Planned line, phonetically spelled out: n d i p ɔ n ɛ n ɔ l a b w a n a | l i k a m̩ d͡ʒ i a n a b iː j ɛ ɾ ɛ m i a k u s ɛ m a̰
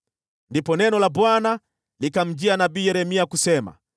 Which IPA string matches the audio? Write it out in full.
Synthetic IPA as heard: n d i p ɔ n ɛ n ɔ l a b w a n a | l i k a m̩ d͡ʒ i a n a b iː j ɛ ɾ ɛ m i a k u s ɛ m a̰